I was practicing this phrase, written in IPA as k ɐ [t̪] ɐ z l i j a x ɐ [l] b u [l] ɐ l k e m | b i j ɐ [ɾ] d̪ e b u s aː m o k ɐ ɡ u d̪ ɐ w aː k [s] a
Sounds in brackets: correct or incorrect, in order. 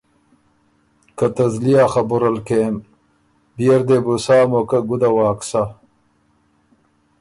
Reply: correct, incorrect: none, incorrect: ɾ, correct, correct

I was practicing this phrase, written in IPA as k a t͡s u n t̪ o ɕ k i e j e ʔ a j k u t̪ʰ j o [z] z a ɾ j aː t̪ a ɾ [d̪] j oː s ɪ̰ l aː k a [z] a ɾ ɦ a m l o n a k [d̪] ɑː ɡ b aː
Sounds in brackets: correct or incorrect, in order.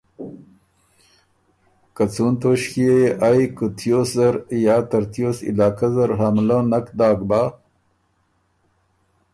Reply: incorrect: s, incorrect: t̪, correct, correct

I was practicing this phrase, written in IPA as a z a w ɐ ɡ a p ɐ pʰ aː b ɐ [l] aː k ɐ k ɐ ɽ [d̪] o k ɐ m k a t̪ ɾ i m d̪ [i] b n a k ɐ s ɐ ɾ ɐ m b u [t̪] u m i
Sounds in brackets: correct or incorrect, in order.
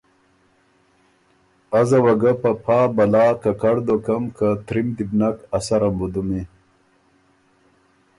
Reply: correct, correct, correct, incorrect: d̪

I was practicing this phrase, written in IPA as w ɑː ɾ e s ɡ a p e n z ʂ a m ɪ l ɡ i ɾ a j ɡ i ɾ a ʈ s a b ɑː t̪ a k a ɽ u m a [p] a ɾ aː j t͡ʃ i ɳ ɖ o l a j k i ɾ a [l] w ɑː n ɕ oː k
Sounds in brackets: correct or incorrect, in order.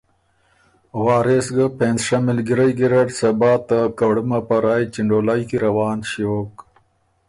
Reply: correct, incorrect: none

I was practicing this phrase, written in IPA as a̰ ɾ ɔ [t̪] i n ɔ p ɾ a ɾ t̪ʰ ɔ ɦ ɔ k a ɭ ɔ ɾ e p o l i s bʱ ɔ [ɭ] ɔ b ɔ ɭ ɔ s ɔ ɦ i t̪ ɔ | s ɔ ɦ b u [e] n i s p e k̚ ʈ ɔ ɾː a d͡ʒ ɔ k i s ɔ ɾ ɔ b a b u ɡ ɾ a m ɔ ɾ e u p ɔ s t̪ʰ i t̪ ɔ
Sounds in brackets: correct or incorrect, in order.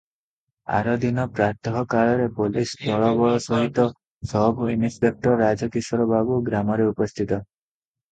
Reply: incorrect: d̪, correct, incorrect: i

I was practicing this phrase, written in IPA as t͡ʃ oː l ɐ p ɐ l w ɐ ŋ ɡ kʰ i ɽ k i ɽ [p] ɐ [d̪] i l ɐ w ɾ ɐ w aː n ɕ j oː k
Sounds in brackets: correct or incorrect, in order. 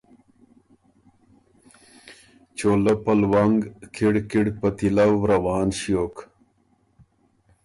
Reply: correct, incorrect: t̪

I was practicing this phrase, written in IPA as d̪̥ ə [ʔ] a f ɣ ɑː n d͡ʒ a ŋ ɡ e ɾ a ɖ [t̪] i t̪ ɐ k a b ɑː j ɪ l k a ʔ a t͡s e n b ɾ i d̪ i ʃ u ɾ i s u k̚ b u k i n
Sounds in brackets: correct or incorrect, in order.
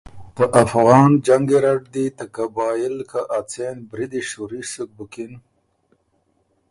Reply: correct, incorrect: d̪

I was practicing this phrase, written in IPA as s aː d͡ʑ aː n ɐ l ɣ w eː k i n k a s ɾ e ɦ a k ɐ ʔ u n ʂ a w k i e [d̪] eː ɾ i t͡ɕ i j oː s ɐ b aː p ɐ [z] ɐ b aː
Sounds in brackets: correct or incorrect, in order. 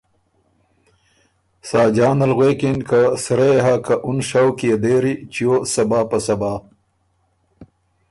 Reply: correct, incorrect: s

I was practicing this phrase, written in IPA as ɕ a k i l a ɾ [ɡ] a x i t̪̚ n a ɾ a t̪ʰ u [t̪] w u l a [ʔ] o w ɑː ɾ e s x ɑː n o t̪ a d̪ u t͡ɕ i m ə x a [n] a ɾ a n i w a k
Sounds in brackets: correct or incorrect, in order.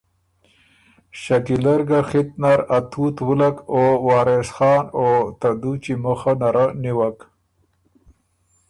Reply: correct, correct, incorrect: k, correct

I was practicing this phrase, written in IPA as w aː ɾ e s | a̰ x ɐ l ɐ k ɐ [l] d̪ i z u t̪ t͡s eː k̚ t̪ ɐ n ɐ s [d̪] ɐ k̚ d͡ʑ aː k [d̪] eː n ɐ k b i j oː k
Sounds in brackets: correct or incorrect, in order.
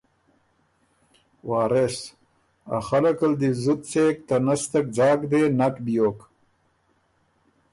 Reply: correct, incorrect: t̪, correct

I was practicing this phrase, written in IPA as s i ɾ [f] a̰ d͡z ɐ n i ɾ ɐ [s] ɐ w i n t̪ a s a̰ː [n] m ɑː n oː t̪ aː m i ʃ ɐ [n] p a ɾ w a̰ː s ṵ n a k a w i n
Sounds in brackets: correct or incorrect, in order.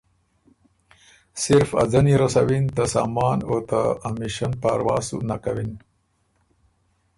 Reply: correct, correct, incorrect: none, correct

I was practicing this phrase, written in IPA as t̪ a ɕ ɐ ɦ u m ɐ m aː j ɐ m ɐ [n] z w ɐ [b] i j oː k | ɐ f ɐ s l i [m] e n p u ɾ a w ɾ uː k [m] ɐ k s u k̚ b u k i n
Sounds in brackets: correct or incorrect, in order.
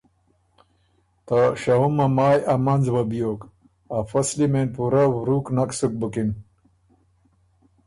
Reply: correct, correct, correct, incorrect: n

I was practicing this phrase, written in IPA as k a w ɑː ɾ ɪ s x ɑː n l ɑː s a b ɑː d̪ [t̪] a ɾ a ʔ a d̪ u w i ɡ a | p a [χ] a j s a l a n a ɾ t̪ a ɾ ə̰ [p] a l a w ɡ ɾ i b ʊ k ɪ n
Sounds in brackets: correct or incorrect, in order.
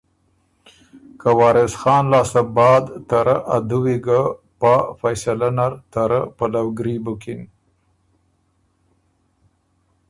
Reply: correct, incorrect: f, correct

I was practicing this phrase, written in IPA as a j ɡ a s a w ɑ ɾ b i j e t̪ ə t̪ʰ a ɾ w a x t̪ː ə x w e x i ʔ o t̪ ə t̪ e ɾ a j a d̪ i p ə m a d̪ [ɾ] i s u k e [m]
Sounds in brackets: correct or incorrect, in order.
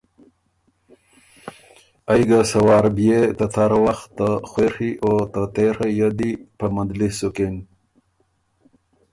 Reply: incorrect: l, incorrect: n

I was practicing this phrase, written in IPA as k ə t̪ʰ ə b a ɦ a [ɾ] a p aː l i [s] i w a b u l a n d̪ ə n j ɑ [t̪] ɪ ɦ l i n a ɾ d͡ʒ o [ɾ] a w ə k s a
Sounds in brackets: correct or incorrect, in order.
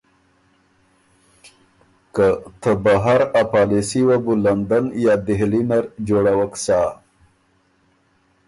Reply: correct, correct, incorrect: d̪, incorrect: ɽ

